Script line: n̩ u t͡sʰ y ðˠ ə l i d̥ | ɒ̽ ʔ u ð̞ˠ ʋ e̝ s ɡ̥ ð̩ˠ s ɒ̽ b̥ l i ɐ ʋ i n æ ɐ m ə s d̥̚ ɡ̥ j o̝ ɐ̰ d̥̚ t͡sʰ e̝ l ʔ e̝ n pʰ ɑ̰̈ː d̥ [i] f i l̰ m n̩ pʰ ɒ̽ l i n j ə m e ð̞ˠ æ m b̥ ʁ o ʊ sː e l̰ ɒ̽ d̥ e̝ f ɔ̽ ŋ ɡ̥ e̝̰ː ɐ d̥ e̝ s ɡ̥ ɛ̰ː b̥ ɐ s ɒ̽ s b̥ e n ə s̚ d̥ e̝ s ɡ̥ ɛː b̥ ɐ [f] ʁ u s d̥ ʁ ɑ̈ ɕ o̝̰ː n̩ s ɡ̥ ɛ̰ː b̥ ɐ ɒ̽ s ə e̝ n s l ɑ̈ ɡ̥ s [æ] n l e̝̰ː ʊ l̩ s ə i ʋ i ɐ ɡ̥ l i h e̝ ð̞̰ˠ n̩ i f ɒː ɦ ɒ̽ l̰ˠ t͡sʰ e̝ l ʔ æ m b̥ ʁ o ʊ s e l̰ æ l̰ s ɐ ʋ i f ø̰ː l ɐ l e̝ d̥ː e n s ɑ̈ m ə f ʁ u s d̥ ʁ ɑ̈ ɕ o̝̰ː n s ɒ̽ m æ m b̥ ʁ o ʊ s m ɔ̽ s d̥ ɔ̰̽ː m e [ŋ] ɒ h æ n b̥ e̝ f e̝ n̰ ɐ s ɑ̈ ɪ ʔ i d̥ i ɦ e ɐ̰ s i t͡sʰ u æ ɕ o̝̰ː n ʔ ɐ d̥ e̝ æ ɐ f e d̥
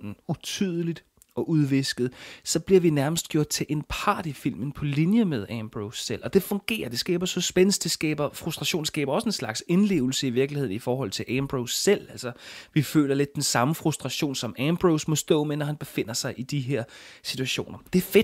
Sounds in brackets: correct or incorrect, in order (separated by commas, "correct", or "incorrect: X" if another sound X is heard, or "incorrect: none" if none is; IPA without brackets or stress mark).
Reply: correct, correct, incorrect: e, incorrect: n